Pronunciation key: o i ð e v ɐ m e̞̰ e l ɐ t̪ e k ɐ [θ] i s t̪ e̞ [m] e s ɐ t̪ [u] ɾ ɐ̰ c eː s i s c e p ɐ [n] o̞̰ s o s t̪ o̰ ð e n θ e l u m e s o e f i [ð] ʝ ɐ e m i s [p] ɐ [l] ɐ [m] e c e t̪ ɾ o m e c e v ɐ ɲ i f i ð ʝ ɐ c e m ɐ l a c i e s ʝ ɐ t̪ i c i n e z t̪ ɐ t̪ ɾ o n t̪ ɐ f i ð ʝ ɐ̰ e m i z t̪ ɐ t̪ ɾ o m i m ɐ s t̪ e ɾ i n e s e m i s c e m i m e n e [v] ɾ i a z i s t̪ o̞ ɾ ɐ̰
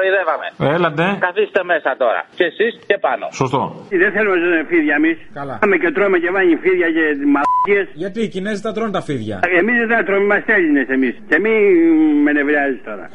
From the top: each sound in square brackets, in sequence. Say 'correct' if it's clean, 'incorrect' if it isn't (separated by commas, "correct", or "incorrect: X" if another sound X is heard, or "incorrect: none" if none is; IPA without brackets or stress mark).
correct, correct, incorrect: o, correct, correct, incorrect: k, correct, correct, correct